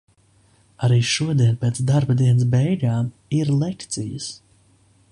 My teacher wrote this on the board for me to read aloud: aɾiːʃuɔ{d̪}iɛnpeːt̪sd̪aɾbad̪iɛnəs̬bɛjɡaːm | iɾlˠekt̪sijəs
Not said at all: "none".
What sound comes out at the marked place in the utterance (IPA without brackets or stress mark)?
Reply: d̪